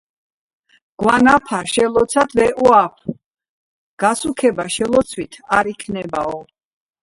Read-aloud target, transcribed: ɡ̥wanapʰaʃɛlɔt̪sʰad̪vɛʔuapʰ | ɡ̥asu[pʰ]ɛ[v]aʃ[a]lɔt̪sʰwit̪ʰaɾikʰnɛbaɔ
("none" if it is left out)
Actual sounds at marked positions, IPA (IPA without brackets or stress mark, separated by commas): kʰ, b, ɛ